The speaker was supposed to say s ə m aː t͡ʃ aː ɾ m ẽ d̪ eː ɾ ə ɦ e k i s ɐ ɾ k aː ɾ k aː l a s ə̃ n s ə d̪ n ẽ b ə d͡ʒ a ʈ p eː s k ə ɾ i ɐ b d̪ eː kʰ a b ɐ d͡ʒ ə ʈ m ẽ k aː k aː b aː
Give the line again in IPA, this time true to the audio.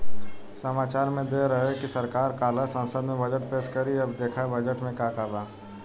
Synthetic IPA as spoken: s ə m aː t͡ʃ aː ɾ m ẽ d̪ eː ɾ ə ɦ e k i s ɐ ɾ k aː ɾ k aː l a s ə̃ n s ə d̪ m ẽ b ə d͡ʒ ə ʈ p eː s k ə ɾ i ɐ b d̪ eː kʰ a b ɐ d͡ʒ ə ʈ m ẽ k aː k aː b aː